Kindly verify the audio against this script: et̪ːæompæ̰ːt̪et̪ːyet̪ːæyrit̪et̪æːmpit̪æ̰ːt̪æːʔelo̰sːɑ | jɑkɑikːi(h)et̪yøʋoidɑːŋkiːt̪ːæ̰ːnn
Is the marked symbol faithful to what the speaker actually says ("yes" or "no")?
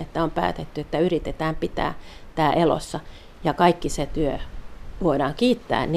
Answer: no